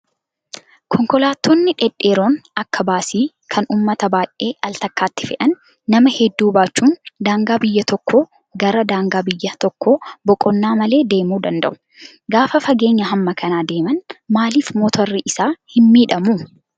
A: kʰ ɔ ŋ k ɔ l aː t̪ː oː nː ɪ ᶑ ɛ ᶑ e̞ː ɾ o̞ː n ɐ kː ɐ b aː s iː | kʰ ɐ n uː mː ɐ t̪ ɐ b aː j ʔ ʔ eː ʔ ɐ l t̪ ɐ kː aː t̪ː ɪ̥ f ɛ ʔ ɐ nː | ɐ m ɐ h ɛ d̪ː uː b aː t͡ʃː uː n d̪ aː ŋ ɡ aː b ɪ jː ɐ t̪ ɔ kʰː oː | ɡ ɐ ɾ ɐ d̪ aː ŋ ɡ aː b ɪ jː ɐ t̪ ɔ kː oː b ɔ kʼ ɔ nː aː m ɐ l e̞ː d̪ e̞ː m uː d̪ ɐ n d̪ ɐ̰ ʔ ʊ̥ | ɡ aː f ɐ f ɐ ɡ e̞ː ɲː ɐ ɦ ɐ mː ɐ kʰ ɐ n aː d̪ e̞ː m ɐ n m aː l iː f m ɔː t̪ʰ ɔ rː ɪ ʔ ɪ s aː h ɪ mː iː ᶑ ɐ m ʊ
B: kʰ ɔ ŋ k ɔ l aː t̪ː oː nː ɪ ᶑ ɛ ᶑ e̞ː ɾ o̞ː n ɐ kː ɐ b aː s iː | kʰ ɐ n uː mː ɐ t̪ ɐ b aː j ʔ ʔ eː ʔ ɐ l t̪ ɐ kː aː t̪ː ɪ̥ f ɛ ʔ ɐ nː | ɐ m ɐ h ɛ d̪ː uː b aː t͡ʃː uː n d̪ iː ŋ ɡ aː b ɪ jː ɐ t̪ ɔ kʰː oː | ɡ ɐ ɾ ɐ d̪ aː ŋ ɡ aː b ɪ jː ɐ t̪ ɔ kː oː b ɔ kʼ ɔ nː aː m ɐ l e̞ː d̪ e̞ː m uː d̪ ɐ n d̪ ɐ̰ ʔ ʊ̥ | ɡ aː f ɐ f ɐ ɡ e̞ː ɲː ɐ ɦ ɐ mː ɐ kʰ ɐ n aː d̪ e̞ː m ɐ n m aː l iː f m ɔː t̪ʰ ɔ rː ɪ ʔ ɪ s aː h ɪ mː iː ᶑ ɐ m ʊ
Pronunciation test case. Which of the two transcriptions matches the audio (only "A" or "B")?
A